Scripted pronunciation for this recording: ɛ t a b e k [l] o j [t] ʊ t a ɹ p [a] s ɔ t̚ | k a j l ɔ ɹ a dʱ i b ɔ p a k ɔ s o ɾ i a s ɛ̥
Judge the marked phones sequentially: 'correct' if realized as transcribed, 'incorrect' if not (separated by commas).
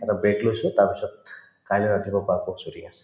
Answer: correct, incorrect, incorrect